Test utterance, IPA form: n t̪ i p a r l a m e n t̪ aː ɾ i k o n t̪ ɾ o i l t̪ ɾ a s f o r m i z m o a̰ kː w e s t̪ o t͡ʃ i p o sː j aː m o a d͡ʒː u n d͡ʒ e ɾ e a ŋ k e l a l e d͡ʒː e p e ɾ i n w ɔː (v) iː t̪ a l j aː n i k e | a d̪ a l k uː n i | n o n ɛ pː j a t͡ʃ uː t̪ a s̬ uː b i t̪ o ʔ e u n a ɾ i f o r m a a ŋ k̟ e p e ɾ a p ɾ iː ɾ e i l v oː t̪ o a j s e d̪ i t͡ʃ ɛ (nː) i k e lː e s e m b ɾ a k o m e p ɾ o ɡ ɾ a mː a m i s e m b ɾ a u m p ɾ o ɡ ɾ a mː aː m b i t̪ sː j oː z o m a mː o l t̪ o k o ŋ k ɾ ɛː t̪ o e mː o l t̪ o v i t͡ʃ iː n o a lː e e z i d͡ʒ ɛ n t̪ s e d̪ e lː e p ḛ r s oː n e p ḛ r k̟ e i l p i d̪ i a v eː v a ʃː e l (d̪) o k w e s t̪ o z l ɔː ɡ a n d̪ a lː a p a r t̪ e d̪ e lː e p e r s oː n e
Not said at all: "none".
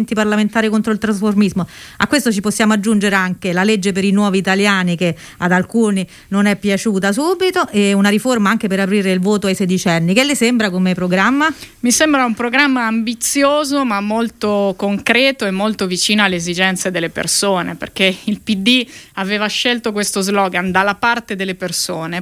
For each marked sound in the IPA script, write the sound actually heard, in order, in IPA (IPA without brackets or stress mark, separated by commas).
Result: v, nː, t̪